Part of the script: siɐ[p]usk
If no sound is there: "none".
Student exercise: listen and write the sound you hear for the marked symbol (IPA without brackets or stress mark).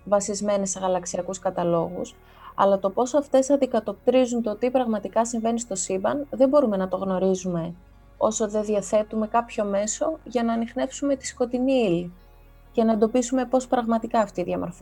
k